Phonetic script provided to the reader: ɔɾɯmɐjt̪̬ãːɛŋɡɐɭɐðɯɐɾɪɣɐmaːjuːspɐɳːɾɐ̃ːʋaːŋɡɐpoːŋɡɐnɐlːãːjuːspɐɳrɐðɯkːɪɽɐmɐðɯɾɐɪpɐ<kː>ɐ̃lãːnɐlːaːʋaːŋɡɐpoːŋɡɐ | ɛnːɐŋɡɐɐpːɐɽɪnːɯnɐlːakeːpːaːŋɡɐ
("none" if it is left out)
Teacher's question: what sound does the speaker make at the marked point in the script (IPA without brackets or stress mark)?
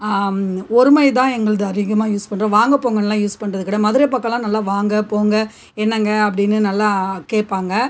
kː